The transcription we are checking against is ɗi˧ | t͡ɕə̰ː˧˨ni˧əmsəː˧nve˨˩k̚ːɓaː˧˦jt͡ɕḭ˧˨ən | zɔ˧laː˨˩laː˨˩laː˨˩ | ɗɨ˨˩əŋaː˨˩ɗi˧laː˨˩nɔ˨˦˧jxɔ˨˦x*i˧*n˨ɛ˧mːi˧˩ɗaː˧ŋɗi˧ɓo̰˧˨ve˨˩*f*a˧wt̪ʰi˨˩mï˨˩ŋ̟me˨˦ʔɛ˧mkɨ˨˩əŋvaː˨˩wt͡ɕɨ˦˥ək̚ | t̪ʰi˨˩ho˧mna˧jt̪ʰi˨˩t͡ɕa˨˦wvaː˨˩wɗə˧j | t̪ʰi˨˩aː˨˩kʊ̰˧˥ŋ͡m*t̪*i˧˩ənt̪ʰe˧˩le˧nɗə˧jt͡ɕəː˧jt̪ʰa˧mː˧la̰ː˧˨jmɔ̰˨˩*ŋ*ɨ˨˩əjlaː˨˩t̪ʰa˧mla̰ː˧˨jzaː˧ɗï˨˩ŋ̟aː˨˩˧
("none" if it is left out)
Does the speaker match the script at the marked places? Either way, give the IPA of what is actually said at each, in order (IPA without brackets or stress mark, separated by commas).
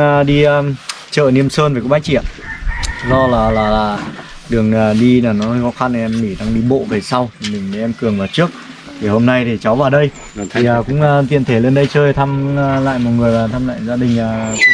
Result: a˧, s, t̪, ŋ